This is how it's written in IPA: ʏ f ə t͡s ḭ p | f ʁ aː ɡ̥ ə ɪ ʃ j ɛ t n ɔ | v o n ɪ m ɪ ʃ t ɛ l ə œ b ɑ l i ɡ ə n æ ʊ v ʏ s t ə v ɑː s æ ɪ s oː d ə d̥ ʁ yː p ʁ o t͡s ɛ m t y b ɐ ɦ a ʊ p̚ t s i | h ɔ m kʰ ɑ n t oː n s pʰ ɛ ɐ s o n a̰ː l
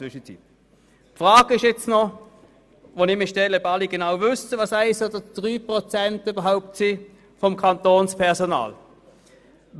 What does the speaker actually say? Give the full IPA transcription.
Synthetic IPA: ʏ ʃ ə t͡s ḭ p | f ʁ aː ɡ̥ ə ɪ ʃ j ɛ t͡s n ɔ | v o n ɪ m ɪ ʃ t ɛ l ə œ b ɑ l i ɡ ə n a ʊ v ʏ s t ə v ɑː s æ ɪ s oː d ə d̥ ʁ yː p ʁ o t͡s ɛ n t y b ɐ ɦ a ʊ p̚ t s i | f ɔ m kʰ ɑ n t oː n s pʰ ɛ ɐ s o n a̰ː l